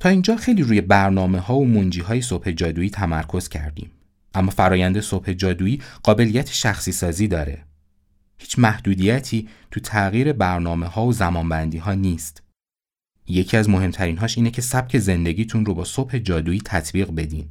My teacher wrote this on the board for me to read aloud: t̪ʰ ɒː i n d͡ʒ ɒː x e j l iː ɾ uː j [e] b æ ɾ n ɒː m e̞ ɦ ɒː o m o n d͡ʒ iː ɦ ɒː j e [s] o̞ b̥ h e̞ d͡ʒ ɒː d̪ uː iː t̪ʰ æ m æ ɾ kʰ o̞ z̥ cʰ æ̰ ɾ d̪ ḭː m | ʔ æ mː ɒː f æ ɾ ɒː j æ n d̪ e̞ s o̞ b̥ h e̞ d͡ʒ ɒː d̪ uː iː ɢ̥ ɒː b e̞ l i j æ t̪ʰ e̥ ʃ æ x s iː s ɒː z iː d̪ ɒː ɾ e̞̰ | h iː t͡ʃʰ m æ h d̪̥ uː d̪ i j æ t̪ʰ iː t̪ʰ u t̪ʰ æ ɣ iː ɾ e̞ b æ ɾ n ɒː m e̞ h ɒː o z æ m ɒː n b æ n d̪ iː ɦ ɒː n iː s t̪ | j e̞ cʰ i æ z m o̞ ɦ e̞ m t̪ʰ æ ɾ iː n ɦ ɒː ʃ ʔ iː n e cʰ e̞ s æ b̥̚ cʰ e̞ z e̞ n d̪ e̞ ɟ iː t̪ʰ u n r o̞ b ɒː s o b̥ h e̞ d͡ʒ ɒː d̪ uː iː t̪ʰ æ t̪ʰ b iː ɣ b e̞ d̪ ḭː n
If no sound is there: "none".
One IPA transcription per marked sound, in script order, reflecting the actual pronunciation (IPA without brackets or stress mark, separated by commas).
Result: e, s